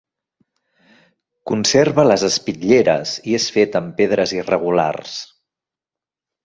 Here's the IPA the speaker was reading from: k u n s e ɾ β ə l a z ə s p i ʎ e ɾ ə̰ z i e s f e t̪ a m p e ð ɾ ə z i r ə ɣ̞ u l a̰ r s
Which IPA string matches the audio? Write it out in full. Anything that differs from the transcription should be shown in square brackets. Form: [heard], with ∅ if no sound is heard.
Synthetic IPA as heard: k u n s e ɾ β ə l [ə] z ə s p i ʎ e ɾ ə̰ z i e s f e t̪ [ə] m p e ð ɾ ə z i r ə ɣ̞ u l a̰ r s